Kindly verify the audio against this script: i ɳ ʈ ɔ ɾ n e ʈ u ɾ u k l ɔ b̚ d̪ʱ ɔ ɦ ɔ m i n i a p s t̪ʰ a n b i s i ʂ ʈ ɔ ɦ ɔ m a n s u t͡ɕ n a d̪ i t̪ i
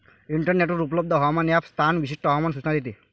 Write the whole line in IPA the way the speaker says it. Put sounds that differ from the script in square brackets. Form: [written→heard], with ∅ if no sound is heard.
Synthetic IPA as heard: i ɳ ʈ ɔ ɾ n e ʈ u ɾ u [k→p] l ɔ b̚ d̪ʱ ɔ ɦ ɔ m [i→a] n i a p s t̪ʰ a n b i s i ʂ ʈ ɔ ɦ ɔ m a n s u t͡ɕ n a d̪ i t̪ i